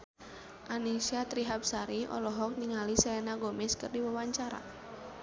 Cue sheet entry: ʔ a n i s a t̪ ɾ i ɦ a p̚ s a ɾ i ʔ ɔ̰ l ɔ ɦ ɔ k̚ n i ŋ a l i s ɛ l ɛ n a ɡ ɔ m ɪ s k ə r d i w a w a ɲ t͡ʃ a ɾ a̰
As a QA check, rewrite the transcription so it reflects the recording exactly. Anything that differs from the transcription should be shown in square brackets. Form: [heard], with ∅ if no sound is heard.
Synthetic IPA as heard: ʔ a n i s a t̪ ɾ i ɦ a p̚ s a ɾ i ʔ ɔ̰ l ɔ ɦ ɔ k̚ n i ŋ a l i s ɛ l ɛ n a ɡ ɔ m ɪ s k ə r d i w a w a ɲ t͡ʃ a ɾ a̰